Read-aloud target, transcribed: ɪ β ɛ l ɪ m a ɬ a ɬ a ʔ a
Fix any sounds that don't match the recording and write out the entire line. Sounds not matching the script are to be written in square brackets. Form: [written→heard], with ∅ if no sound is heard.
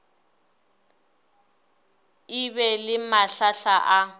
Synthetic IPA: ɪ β ɛ l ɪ m a ɬ a ɬ a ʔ a